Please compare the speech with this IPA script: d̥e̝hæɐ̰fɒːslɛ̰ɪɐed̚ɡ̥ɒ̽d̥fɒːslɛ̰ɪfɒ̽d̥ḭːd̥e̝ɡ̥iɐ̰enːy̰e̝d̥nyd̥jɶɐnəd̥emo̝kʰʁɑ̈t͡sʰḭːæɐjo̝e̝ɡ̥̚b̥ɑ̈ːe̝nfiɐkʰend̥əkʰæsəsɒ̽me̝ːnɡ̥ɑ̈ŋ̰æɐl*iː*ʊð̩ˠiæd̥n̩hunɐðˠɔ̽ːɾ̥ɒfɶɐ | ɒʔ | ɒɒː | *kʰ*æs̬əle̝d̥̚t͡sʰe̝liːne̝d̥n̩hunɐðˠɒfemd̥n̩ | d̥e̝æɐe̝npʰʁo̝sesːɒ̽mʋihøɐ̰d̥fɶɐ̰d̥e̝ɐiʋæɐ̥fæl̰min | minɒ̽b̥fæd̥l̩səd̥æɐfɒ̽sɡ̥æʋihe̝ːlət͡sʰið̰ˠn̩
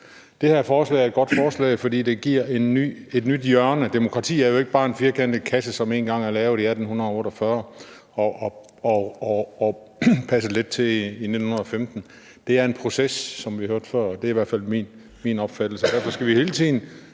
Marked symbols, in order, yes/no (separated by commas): no, no